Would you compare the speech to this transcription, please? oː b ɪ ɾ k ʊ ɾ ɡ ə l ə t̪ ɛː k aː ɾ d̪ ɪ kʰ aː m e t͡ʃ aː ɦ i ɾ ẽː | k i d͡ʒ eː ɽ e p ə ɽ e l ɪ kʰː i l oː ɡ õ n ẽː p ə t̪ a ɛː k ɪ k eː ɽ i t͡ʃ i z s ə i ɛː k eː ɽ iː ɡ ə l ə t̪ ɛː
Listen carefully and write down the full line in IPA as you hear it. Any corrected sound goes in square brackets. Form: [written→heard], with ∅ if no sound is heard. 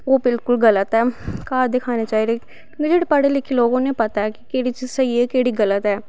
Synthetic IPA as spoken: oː b ɪ [ɾ→l] k ʊ [ɾ→l] ɡ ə l ə t̪ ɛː k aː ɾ d̪ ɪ kʰ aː [m→n] e t͡ʃ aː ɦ i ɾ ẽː | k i d͡ʒ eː ɽ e p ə ɽ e l ɪ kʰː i l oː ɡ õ n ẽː p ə t̪ a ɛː k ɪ k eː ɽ i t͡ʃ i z s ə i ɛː k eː ɽ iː ɡ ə l ə t̪ ɛː